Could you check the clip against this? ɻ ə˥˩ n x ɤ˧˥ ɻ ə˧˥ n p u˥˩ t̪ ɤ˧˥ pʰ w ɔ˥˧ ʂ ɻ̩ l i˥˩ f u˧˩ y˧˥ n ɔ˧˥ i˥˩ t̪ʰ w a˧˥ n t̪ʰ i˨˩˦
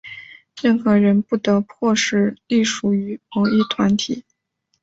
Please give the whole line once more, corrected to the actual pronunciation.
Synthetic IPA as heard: ɻ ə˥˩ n x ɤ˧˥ ɻ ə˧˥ n p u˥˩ t̪ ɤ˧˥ pʰ w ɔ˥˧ ʂ ɻ̩ l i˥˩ ʂ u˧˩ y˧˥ m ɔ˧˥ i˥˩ t̪ʰ w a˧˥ n t̪ʰ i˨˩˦